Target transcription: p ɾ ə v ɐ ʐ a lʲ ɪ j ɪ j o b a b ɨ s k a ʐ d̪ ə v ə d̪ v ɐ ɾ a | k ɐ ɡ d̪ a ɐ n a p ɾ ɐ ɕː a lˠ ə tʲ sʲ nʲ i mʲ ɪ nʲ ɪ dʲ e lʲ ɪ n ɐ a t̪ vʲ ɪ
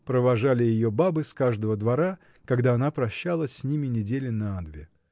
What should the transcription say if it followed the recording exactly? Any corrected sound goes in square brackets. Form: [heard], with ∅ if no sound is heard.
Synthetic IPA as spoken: p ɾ ə v ɐ ʐ a lʲ ɪ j ɪ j o b a b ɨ s k a ʐ d̪ ə v ə d̪ v ɐ ɾ a | k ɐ ɡ d̪ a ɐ n a p ɾ ɐ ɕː a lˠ ə [sʲ] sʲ nʲ i mʲ ɪ nʲ ɪ dʲ e lʲ ɪ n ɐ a [d̪] vʲ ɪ